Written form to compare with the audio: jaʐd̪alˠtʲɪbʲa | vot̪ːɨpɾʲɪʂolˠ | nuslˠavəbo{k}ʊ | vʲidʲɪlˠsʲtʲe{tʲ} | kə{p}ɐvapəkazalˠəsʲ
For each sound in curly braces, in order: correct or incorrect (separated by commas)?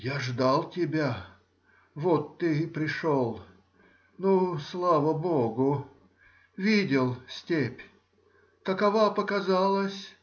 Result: incorrect, incorrect, incorrect